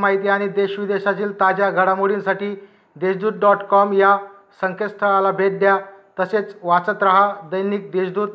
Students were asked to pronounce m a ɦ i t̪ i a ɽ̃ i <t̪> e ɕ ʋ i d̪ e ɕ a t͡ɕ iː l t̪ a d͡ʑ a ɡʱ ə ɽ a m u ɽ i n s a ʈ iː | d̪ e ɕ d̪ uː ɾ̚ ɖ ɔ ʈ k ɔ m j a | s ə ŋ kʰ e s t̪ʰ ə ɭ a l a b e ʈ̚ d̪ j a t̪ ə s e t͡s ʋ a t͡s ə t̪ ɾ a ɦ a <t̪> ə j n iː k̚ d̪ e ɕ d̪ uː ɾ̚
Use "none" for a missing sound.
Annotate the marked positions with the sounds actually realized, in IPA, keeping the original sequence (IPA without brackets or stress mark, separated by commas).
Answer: d̪, d̪